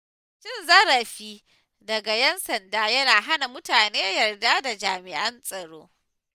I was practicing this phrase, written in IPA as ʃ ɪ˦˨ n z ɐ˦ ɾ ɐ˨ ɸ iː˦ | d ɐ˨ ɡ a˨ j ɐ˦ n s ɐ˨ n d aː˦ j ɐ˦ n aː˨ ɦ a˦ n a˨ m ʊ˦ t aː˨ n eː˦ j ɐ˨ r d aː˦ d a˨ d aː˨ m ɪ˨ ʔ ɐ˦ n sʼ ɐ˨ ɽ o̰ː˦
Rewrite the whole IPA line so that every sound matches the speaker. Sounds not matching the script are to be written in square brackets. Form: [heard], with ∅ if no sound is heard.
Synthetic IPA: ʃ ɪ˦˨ n z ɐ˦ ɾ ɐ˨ ɸ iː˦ | d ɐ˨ ɡ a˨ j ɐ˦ n s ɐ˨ n d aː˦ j ɐ˦ n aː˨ ɦ a˦ n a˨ m ʊ˦ t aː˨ n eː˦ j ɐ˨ r d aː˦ d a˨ [d͡ʒ] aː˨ m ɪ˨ ʔ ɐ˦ n sʼ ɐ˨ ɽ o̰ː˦